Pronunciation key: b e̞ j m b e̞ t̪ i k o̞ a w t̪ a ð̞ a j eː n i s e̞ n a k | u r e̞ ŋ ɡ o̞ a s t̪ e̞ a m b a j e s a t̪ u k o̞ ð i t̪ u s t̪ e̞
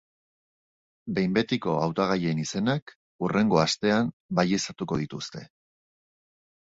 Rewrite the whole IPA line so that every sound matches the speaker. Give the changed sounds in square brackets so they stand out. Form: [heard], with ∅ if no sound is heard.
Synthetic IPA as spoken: b e̞ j m b e̞ t̪ i k o̞ a w t̪ a [ɣ̞] a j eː n i s e̞ n a k | u r e̞ ŋ ɡ o̞ a s t̪ e̞ a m b a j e s a t̪ u k o̞ ð i t̪ u s t̪ e̞